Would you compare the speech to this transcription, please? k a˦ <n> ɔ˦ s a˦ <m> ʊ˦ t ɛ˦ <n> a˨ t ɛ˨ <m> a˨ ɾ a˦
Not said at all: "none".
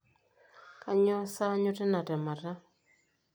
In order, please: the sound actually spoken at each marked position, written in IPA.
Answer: ɲ, ɲ, n, m

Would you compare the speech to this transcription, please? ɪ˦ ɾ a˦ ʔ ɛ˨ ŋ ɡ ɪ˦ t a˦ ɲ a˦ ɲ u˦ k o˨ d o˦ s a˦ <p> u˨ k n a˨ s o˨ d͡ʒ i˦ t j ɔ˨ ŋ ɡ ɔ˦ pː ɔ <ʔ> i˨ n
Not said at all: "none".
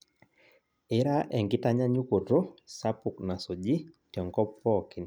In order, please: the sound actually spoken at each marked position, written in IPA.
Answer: p, k

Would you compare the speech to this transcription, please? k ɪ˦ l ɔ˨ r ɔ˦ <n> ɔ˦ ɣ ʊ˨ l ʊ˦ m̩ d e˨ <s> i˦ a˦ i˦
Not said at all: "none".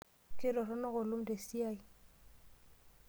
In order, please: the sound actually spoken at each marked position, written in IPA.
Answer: n, s

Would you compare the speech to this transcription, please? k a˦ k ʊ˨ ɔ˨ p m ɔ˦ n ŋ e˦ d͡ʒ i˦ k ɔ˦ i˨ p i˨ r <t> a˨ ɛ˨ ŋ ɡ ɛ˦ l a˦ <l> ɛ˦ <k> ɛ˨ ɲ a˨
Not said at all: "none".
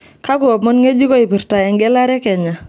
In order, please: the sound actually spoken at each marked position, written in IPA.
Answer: t, ɾ, k

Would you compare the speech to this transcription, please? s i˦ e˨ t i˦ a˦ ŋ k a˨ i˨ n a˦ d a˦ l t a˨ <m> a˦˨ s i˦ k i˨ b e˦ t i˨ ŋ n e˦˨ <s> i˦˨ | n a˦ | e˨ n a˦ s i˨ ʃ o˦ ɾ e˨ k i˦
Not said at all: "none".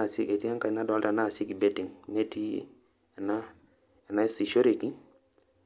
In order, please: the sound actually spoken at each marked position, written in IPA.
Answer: n, t

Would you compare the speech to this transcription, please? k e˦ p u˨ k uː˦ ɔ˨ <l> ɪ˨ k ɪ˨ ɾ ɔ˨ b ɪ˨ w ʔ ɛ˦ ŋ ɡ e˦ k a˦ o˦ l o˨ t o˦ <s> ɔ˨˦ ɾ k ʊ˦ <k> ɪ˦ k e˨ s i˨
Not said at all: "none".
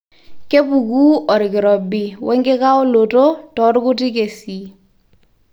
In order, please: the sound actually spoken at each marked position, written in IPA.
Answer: ɾ, t, t

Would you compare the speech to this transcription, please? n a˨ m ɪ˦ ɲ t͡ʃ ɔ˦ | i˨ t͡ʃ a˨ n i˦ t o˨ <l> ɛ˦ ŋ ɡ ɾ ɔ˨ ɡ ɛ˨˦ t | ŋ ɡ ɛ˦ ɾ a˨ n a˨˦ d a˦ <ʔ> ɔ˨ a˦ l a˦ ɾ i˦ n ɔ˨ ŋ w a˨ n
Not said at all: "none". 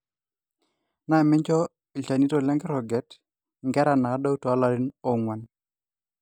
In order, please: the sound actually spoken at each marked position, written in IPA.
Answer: l, t

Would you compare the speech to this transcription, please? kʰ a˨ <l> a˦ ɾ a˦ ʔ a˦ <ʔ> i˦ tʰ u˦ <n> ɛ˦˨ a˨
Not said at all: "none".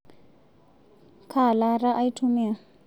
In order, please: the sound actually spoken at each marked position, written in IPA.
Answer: l, none, m

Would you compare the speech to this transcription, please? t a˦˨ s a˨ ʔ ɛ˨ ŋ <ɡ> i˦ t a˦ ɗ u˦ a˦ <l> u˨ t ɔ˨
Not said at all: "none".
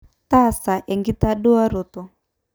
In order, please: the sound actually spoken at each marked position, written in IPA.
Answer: ɡ, ɾ

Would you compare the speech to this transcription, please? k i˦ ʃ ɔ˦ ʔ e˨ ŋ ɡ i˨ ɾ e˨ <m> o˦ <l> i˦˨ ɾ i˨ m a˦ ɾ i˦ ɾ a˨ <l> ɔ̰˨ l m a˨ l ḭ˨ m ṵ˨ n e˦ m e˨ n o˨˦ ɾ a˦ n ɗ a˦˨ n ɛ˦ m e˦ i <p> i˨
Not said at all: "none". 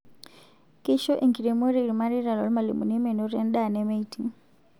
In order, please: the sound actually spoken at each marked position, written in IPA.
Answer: m, ɾ, l, t

